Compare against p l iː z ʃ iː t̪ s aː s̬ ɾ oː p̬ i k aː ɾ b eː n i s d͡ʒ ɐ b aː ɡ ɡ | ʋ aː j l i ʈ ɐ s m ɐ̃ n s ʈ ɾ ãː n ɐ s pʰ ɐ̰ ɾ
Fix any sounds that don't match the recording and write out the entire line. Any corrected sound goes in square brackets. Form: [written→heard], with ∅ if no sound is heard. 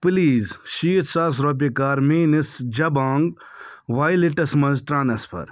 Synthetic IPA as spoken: p l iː z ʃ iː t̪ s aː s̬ ɾ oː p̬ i k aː ɾ [b→m] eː n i s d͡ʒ ɐ b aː [ɡ→ŋ] ɡ | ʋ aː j l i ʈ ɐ s m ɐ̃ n [s→z] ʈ ɾ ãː n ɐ s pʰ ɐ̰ ɾ